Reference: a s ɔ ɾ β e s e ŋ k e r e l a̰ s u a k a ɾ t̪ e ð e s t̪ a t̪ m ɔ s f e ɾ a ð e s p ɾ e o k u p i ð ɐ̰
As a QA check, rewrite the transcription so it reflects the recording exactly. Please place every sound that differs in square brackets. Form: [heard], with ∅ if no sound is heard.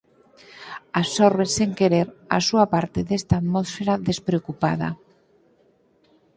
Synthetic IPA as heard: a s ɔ ɾ β e s e ŋ k e [ɾ] e [ɾ] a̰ s u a [p] a ɾ t̪ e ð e s t̪ a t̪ m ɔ s f e ɾ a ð e s p ɾ e o k u p [a] ð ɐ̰